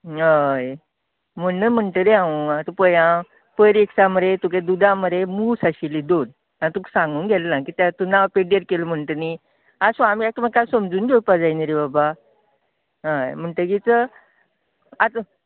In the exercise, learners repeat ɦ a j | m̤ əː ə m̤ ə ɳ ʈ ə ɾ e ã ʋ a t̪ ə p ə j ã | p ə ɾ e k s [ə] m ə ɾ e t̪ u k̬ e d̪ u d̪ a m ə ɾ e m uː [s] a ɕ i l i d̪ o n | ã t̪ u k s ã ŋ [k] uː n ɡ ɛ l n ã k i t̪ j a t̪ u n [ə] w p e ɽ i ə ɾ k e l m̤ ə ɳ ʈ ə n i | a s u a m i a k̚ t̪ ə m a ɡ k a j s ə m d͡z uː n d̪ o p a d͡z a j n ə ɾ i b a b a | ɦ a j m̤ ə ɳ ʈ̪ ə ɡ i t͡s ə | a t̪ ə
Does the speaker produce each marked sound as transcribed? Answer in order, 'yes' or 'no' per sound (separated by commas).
no, yes, no, no